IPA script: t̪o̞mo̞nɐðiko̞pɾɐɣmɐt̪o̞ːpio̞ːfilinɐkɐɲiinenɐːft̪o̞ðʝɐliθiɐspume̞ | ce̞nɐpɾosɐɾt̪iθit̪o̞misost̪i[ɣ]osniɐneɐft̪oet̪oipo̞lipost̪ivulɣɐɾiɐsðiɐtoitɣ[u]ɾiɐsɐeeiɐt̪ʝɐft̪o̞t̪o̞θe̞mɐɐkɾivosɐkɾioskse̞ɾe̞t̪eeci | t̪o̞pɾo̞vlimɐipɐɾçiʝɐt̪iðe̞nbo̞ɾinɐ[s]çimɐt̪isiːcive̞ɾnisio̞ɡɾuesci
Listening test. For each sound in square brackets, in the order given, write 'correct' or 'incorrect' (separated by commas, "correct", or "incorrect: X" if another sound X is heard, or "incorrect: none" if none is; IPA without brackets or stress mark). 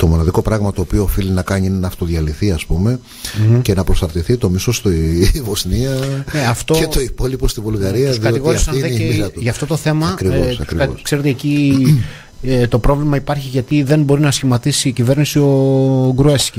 incorrect: v, incorrect: o, correct